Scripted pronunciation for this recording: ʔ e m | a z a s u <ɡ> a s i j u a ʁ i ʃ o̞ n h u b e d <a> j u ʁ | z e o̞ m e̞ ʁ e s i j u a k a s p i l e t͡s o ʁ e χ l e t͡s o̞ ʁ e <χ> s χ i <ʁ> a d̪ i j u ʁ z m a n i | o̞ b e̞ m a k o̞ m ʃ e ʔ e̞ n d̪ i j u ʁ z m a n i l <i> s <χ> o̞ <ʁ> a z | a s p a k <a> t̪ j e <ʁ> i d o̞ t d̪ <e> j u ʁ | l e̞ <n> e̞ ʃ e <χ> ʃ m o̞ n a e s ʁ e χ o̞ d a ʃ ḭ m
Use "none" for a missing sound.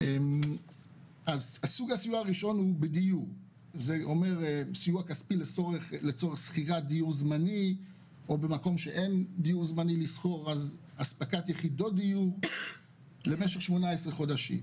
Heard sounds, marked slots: ɡ, i, χ, ʁ, i, χ, ʁ, a, χ, i, m, χ

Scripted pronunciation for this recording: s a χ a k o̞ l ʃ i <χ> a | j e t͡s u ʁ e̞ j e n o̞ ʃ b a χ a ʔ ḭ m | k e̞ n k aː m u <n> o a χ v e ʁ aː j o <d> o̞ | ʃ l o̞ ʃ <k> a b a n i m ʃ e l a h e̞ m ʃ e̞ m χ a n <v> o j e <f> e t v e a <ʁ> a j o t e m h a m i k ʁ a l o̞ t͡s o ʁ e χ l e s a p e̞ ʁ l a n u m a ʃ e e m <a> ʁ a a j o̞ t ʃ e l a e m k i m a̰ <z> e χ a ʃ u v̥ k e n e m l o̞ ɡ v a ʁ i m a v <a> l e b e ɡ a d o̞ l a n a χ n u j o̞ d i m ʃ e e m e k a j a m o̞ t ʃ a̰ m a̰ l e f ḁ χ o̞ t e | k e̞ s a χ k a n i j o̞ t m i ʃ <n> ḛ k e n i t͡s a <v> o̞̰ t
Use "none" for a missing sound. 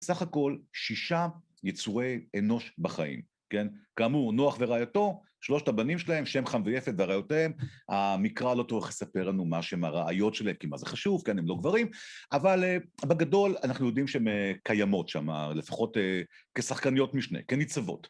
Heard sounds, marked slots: ʃ, n, t, t, v, f, ʁ, a, z, a, n, v

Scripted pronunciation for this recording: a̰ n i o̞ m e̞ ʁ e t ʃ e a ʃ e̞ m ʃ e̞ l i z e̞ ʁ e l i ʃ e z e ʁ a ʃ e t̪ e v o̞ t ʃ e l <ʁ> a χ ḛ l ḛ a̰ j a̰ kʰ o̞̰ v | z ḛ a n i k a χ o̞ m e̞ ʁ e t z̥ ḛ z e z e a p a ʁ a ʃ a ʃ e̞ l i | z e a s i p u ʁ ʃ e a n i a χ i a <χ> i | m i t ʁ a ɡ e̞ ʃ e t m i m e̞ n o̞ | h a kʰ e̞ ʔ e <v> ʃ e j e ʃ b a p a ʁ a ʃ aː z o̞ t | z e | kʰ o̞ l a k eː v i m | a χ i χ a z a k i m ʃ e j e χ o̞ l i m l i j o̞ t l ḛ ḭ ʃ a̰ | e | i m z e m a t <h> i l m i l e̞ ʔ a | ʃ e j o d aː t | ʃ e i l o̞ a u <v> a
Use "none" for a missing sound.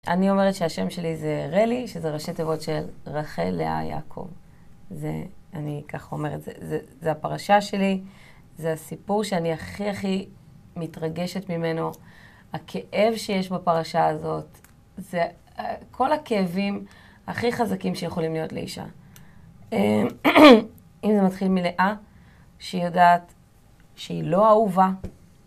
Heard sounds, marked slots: ʁ, χ, v, χ, v

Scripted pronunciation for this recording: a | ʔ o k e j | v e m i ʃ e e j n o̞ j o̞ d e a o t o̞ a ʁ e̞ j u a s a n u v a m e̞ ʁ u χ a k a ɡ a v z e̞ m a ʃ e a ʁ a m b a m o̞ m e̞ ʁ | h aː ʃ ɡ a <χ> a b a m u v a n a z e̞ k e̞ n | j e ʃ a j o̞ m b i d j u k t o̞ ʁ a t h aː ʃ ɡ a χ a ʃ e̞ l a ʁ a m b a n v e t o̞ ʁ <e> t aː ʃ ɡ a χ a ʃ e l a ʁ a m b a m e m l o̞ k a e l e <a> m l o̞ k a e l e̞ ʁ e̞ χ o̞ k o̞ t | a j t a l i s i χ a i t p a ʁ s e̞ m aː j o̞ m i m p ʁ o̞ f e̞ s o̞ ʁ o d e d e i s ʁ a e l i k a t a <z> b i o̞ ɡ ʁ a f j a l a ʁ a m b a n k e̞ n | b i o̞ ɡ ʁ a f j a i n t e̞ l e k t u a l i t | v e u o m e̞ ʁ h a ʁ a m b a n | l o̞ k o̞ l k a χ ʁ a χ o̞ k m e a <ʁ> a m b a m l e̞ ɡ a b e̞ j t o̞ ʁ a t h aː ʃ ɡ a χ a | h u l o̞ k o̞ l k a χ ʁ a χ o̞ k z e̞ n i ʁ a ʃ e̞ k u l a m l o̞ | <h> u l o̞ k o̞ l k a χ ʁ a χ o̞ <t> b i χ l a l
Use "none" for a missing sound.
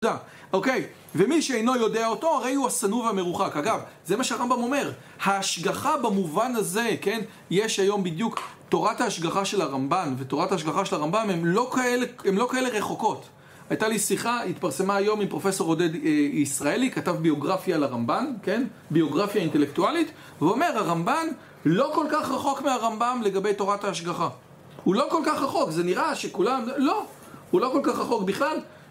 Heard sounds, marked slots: χ, a, e, v, ʁ, h, k

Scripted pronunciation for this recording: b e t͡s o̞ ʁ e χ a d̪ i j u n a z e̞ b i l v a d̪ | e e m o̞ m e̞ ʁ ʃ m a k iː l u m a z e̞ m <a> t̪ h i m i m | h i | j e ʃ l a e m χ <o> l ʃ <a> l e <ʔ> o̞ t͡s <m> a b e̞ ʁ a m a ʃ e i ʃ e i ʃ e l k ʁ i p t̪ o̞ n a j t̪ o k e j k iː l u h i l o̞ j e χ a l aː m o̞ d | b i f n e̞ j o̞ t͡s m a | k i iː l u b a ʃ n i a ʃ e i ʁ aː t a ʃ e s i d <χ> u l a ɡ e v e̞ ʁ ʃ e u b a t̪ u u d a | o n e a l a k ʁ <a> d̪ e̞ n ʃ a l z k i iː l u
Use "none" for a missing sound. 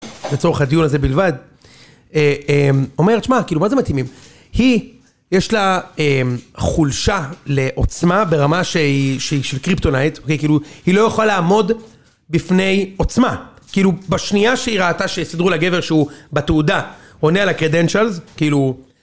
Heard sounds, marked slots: a, u, a, ʔ, m, ʁ, e

